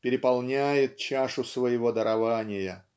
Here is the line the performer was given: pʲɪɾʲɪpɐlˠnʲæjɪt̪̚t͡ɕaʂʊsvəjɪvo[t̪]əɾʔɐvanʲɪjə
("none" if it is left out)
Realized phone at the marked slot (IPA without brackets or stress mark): d̪